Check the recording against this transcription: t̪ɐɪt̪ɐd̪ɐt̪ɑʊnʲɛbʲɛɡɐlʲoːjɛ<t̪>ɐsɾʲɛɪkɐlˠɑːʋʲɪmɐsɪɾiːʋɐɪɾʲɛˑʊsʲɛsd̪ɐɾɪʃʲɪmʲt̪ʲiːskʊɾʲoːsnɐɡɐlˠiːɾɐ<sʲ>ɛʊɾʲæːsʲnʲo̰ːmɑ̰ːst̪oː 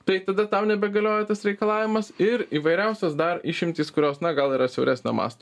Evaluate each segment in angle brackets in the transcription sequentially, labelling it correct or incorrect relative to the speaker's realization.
correct, correct

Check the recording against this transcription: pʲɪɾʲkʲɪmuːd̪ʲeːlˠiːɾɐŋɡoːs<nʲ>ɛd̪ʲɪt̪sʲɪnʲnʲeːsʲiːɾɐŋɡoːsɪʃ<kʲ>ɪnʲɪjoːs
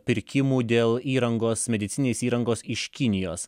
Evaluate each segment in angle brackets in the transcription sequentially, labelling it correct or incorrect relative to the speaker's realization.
incorrect, correct

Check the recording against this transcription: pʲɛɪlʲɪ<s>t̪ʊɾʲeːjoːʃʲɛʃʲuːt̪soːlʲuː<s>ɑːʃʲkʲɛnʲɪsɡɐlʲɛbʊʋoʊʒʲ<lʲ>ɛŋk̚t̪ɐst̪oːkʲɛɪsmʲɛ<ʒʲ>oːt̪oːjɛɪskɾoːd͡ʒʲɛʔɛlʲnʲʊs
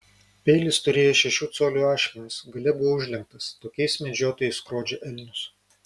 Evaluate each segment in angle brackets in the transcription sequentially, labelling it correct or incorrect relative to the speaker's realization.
correct, incorrect, correct, incorrect

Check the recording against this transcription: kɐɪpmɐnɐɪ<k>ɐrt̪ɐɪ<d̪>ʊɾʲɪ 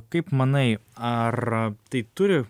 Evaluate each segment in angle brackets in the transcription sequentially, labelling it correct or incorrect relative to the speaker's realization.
incorrect, incorrect

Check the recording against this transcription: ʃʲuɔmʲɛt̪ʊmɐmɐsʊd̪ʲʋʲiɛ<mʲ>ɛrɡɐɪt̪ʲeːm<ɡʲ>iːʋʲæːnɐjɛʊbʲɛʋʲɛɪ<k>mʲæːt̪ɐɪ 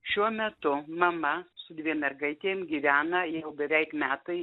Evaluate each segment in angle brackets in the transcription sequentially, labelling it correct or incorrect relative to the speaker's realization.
correct, correct, correct

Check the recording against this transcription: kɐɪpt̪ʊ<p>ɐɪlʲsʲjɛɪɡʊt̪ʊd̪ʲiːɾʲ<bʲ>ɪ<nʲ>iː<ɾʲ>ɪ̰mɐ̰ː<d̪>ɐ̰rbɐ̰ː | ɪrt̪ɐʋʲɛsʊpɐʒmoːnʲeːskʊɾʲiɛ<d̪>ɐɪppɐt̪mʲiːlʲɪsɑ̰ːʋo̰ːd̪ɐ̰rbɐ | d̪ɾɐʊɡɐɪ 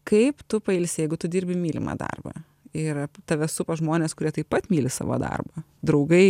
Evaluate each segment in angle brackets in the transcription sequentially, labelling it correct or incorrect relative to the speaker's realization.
correct, correct, incorrect, incorrect, correct, incorrect

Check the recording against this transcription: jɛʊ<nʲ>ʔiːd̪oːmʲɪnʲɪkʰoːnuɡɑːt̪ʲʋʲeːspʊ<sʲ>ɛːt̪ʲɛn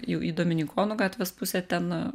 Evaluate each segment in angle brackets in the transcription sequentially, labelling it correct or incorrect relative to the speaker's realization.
incorrect, correct

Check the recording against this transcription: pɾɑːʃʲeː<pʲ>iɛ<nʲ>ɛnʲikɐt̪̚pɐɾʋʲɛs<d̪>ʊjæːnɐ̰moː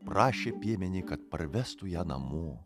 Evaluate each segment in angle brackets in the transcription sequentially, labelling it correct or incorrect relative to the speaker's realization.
correct, incorrect, incorrect

